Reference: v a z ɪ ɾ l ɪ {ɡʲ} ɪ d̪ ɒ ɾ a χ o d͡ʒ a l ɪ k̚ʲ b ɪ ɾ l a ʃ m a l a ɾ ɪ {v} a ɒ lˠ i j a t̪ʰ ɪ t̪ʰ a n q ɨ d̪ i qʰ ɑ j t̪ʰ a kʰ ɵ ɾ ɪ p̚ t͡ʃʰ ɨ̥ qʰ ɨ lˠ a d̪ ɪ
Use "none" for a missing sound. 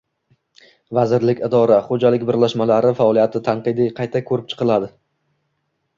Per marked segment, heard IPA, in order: kʲ, f

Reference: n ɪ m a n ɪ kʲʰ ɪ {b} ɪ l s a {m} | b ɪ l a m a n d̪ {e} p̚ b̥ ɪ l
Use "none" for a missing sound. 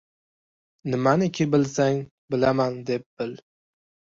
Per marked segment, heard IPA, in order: b, ŋ, e

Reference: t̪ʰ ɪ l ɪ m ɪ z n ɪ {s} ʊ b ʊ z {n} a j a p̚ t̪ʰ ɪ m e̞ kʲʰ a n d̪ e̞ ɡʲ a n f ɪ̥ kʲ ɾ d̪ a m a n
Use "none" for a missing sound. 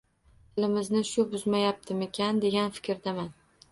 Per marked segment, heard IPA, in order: ʃ, m

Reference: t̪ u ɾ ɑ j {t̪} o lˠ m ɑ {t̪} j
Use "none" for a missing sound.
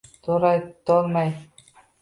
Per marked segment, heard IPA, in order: t̪, none

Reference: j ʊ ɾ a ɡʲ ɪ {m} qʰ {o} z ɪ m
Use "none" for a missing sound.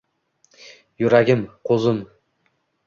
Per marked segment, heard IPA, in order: m, o

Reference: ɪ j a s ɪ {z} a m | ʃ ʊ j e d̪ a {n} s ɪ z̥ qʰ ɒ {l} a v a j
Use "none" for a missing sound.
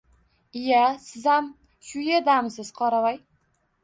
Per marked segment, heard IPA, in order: z, m, ɾ

